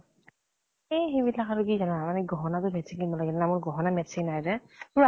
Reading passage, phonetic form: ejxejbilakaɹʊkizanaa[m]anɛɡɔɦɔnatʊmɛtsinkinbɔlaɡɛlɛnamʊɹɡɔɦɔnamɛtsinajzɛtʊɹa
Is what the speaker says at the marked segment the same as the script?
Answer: yes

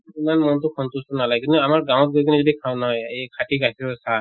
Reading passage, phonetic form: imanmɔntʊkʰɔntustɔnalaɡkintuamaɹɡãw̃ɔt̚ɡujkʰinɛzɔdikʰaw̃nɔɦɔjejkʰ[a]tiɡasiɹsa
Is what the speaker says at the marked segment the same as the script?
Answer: yes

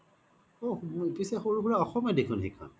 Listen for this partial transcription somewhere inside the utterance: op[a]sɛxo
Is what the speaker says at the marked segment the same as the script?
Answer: no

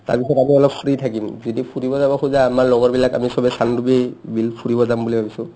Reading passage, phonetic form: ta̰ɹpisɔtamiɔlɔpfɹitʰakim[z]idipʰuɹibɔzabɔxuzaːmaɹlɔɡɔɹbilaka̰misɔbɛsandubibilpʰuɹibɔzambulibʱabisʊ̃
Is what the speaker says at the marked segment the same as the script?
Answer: yes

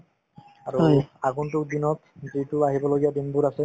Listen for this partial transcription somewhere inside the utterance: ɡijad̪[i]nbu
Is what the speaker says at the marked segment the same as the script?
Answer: yes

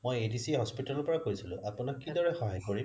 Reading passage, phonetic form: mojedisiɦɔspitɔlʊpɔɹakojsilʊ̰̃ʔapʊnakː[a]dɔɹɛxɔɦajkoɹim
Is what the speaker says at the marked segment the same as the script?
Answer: no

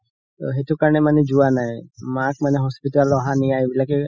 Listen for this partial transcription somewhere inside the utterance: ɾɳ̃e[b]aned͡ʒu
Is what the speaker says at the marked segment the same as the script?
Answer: no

